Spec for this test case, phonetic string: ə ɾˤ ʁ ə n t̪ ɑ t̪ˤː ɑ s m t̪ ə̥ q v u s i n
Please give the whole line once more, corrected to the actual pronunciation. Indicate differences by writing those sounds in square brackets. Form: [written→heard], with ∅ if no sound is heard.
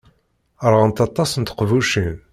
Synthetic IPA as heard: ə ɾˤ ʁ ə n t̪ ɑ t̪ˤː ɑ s [m→n] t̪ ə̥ q v u [s→ʃ] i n